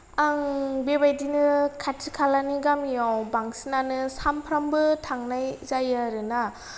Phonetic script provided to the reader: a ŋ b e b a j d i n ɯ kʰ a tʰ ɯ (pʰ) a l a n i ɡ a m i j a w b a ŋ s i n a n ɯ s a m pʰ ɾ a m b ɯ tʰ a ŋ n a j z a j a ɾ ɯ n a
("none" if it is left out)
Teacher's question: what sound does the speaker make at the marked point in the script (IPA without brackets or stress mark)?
kʰ